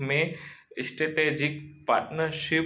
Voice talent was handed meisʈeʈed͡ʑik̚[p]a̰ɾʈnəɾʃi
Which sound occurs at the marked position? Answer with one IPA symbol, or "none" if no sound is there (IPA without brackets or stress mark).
p